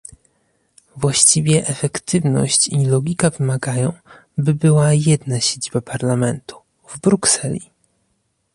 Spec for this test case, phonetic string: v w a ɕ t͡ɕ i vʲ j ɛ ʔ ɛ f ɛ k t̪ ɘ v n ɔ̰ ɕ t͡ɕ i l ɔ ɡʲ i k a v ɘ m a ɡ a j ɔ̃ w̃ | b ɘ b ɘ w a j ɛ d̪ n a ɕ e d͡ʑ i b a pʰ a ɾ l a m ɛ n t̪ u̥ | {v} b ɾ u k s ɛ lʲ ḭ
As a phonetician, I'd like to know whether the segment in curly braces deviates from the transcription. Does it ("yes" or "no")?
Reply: no